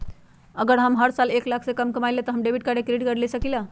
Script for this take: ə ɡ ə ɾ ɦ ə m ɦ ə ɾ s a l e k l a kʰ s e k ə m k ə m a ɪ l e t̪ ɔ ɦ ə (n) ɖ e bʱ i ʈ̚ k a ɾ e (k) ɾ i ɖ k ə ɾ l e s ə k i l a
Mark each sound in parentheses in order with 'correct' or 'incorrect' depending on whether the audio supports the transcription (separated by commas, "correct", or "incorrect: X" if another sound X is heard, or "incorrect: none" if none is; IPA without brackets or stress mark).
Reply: incorrect: m, correct